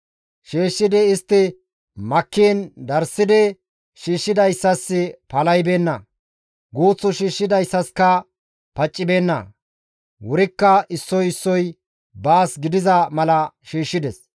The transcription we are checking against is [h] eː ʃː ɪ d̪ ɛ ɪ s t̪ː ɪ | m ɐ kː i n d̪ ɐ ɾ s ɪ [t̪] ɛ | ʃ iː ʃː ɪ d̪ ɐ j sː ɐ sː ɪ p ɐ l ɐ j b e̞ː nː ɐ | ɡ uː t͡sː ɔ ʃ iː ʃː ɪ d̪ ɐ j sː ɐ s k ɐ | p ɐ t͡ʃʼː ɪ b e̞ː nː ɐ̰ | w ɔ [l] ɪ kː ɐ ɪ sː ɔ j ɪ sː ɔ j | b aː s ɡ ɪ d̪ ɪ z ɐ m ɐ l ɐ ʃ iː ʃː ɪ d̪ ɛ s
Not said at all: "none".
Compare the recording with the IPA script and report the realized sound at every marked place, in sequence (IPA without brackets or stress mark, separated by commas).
ʃ, d̪, ɾ